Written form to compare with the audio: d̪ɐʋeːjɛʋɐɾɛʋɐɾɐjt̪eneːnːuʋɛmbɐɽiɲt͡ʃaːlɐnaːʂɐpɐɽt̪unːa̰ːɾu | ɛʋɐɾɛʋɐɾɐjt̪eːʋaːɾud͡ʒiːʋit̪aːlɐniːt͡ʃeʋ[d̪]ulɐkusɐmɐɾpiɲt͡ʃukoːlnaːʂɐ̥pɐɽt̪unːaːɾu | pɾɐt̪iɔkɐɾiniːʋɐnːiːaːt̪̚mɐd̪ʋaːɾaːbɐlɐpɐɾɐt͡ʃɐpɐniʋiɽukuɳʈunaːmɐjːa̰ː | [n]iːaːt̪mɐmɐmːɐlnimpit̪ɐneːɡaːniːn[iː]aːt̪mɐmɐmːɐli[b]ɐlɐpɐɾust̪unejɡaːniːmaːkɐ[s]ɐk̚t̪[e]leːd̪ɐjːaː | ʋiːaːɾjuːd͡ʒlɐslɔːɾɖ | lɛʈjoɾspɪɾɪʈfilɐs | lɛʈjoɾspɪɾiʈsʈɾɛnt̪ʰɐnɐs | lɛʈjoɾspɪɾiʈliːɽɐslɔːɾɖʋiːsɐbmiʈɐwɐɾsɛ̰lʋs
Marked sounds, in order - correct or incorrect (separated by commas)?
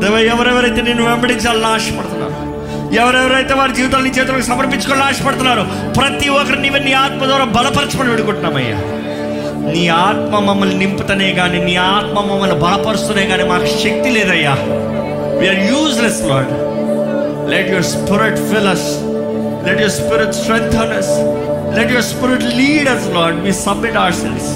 incorrect, correct, correct, correct, incorrect, incorrect